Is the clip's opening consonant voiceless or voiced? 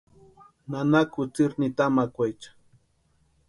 voiced